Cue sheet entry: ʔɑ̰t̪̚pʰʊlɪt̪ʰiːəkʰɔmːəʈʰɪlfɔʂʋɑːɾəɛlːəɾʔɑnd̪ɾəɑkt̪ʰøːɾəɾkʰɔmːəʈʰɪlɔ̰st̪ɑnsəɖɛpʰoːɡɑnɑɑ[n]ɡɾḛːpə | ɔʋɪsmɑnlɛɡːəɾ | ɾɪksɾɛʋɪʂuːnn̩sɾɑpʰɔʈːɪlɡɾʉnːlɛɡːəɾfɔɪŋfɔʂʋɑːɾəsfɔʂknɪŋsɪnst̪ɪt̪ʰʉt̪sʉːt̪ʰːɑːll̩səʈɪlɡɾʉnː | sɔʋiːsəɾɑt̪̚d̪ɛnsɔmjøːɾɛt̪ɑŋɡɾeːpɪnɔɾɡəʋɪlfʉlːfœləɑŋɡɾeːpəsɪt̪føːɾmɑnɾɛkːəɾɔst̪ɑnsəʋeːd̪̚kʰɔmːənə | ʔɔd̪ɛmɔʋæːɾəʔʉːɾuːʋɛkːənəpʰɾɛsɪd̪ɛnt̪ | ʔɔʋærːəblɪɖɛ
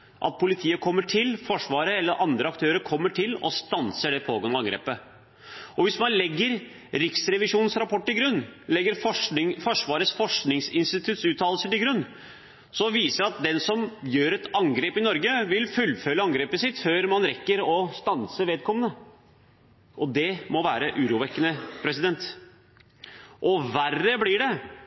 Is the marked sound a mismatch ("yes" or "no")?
yes